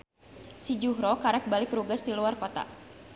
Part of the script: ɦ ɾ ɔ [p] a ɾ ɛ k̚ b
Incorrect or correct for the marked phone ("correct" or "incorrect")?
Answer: incorrect